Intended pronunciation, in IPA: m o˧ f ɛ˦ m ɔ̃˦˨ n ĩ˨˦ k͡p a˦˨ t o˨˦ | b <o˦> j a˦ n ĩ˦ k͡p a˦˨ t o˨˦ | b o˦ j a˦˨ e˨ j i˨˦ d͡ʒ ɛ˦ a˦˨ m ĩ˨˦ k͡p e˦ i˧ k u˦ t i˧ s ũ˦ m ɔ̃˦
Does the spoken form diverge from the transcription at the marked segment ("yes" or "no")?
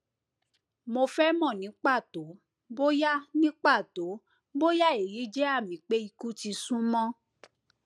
no